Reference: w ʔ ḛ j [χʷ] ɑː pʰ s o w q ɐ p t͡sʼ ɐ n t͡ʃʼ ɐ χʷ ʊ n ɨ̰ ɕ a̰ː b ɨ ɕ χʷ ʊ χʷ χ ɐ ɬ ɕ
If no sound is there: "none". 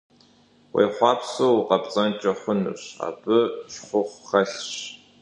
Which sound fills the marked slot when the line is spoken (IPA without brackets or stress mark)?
χʷ